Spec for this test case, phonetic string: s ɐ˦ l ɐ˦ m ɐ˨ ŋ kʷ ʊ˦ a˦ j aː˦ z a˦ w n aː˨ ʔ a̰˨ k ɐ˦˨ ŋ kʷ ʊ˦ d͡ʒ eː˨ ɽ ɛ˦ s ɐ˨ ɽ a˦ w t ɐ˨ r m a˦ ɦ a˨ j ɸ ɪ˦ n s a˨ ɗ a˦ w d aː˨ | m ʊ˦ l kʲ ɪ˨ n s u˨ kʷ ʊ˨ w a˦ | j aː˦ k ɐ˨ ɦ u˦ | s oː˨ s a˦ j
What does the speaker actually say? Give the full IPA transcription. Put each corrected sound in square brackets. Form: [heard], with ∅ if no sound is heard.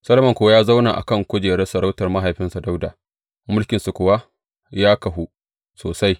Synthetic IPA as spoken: s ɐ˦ l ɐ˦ m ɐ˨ ŋ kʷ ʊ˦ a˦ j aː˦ z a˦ w n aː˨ ʔ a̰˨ k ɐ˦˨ ŋ kʷ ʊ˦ d͡ʒ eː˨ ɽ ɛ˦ s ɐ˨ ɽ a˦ w t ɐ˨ r m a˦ ɦ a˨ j ɸ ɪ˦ n s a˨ [d] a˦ w d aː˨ | m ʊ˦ l kʲ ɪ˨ n s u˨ kʷ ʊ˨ w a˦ | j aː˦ k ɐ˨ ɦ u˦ | s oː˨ s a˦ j